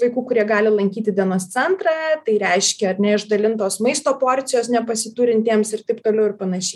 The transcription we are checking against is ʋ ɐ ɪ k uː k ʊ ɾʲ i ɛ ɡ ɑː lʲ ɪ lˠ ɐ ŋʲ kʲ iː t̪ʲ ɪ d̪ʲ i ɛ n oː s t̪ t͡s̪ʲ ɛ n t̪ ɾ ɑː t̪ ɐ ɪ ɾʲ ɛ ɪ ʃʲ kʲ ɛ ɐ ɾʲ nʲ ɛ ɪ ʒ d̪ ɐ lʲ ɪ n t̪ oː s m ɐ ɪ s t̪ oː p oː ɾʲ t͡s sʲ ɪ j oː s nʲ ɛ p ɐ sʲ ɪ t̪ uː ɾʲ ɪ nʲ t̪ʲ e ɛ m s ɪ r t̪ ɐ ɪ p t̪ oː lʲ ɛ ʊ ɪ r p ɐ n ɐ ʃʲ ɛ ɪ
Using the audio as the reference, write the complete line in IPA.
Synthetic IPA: ʋ ɐ ɪ k uː k ʊ ɾʲ i ɛ ɡ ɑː lʲ ɪ lˠ ɐ ŋʲ kʲ iː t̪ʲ ɪ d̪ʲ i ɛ n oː s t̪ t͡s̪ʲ ɛ n t̪ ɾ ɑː t̪ ɐ ɪ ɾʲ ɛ ɪ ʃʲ kʲ ɛ ɐ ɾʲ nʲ ɛ ɪ ʒ d̪ ɐ lʲ ɪ n t̪ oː s m ɐ ɪ s t̪ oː p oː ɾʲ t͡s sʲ ɪ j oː s nʲ ɛ p ɐ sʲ ɪ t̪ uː ɾʲ ɪ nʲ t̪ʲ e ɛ m s ɪ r t̪ ɐ ɪ p t̪ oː lʲ ɛ ʊ ɪ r p ɐ n ɐ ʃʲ ɛ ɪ